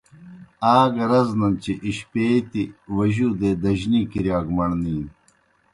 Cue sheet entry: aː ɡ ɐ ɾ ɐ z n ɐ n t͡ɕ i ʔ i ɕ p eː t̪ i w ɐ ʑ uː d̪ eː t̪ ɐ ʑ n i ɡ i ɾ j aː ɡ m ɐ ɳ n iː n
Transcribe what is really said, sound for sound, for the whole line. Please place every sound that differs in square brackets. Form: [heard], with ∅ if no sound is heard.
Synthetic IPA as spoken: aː ɡ ɐ ɾ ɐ z n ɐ n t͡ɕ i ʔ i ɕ p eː t̪ i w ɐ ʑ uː d̪ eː [d̪] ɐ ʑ n i [k] i ɾ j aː ɡ m ɐ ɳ n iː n